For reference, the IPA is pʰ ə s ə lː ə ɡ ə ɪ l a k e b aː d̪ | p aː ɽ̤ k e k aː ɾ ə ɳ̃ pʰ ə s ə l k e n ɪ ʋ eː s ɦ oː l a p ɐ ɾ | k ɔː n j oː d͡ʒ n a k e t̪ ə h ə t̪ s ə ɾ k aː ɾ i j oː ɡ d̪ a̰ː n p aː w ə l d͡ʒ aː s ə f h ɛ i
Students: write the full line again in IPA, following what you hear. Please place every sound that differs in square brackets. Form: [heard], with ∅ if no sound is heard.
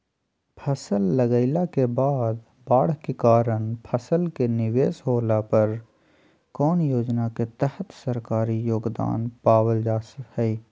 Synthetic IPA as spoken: pʰ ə s ə lː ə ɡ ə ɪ l a k e b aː d̪ | [b] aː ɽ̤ k e k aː ɾ ə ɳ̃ pʰ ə s ə l k e n ɪ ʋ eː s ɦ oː l a p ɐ ɾ | k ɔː n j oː d͡ʒ n a k e t̪ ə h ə t̪ s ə ɾ k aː ɾ i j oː ɡ d̪ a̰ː n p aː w ə l d͡ʒ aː s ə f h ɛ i